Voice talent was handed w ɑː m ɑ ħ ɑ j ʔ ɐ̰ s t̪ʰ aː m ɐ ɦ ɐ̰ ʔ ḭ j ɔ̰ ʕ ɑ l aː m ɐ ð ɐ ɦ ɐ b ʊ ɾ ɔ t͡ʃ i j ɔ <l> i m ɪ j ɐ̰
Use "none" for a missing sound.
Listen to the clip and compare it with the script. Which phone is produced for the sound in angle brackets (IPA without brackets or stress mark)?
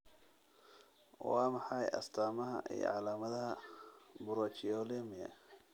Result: l